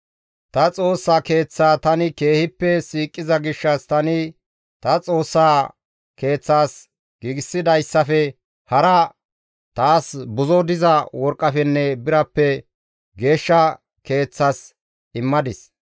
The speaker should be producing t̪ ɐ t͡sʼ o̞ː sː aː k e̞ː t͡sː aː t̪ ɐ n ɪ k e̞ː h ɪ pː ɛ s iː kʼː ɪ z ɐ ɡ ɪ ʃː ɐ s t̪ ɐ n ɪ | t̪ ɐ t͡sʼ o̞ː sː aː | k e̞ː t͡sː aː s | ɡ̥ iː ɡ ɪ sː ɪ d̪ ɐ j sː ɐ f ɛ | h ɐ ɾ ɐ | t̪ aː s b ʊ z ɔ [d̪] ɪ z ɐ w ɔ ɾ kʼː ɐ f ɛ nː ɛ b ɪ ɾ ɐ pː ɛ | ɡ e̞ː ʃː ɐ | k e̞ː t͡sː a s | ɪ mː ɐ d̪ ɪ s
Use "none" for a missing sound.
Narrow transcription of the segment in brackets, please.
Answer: d̪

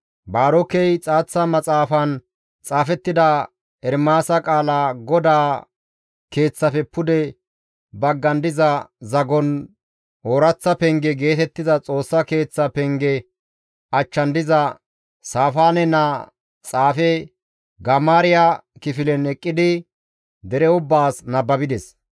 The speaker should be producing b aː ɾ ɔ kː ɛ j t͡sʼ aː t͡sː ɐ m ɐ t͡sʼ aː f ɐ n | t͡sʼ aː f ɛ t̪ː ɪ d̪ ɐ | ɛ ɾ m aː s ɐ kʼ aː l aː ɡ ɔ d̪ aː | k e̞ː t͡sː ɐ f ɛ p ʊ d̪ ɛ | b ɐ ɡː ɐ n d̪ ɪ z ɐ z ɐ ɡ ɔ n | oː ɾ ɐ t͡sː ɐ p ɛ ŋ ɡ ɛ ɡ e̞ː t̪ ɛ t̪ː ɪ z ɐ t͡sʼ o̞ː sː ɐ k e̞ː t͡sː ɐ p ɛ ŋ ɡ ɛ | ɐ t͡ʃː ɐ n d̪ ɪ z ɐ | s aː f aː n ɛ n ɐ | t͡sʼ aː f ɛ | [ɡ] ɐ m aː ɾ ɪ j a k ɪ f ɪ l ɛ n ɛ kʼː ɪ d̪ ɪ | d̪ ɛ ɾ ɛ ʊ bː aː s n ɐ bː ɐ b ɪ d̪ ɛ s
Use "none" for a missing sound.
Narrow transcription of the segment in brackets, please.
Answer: ɡ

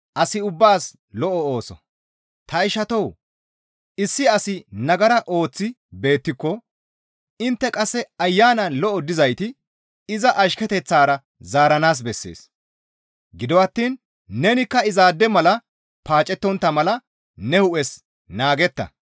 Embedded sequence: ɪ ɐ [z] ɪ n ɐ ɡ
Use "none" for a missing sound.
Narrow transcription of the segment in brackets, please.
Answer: s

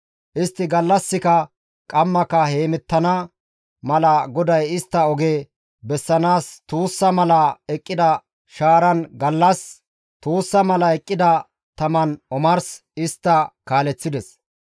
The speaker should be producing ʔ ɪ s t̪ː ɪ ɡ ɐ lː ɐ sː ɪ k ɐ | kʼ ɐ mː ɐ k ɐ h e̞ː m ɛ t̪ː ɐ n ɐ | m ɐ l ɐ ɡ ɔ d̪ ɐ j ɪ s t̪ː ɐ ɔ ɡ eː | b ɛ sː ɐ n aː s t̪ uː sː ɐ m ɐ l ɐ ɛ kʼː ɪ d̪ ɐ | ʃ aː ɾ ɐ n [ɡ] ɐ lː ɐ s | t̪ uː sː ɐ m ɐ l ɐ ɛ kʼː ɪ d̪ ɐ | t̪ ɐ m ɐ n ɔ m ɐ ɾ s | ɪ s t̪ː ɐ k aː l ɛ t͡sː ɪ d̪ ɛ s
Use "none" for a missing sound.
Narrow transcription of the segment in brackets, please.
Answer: ɡ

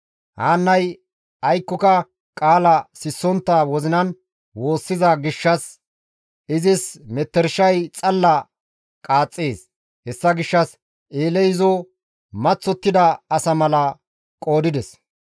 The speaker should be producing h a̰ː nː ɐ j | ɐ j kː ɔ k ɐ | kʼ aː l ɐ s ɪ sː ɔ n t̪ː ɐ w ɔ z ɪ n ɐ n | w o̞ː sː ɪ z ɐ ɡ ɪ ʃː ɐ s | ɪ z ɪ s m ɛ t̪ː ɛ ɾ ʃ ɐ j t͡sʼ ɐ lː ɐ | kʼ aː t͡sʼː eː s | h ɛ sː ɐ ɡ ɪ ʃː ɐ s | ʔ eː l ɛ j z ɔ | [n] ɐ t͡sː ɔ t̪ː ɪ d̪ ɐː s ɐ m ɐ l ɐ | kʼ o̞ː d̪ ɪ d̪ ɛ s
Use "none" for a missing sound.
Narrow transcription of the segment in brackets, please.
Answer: m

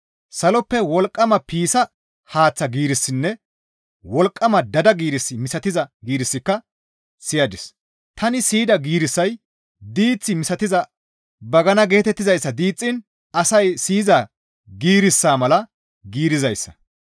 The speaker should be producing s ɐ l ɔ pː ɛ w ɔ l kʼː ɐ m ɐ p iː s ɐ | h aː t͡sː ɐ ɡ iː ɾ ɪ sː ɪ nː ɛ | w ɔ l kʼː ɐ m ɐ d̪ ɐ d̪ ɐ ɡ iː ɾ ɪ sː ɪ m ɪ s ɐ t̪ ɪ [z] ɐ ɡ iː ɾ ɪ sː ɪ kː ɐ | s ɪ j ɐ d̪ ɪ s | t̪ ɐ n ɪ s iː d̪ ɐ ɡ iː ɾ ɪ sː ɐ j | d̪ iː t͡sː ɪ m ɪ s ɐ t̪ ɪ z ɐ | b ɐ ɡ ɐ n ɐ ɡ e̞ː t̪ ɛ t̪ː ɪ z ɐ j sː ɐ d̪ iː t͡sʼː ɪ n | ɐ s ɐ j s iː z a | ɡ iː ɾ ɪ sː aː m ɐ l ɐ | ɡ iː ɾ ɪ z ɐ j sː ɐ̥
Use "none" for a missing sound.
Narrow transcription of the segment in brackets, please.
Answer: z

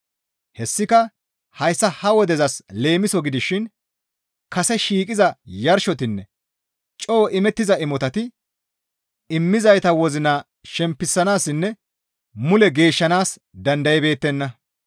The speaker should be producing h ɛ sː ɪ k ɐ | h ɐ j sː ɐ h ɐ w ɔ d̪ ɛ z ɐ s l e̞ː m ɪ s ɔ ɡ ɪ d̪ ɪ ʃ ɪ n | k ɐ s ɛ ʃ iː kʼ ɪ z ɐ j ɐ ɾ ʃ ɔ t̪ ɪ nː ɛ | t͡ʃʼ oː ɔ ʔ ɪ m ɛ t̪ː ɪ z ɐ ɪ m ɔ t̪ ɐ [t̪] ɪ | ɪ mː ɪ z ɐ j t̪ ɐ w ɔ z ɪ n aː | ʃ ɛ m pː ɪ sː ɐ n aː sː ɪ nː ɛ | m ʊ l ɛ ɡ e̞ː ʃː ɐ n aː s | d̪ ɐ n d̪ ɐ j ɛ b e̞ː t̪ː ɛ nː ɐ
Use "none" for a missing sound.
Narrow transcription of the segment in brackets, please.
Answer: t̪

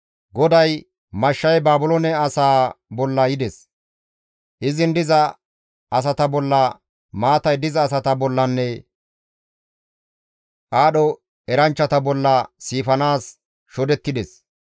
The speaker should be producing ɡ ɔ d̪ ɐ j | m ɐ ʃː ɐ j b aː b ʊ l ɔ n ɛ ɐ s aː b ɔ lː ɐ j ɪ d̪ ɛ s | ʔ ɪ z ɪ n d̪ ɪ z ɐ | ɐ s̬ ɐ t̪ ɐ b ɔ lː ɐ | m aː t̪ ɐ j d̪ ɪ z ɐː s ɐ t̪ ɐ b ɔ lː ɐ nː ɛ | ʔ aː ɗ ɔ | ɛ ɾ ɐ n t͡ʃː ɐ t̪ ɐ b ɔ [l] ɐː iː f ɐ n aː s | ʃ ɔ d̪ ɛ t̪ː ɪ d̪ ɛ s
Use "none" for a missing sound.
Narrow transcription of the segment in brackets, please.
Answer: lː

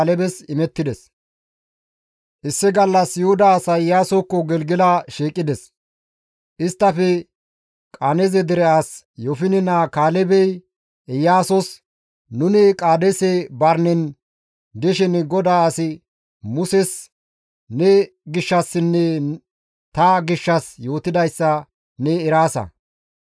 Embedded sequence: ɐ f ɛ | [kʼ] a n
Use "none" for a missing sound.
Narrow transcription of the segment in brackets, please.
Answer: kʼ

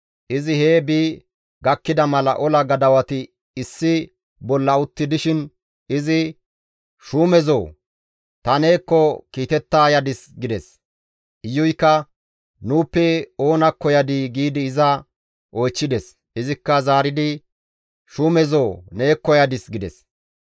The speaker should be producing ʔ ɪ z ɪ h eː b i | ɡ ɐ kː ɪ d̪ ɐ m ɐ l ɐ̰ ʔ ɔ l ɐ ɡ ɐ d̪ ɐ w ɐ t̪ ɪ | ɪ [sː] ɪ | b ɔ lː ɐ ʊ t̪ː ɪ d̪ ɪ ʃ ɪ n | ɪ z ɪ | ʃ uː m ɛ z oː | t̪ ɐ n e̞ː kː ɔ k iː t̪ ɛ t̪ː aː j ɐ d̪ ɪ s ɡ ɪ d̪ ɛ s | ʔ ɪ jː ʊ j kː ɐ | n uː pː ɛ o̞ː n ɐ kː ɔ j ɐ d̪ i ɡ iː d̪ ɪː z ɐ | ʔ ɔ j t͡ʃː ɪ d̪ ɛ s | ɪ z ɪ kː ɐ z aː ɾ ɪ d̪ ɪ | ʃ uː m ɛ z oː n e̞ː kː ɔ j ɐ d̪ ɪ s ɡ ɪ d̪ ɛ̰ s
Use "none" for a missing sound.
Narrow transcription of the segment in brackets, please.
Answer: sː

